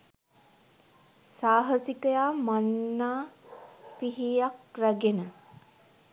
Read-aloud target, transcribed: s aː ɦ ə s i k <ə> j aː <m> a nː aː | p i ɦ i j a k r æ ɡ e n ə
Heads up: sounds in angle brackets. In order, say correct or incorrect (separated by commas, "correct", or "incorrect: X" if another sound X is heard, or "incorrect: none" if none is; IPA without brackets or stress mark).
correct, correct